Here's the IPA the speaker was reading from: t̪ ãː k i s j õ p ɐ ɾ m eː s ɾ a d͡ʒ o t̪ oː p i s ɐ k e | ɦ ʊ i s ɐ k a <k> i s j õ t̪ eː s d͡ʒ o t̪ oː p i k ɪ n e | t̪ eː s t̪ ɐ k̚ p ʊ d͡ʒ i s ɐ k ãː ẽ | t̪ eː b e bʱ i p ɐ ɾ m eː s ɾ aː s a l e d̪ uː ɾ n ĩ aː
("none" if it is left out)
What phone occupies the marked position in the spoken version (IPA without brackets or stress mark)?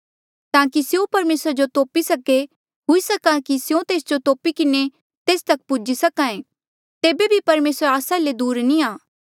k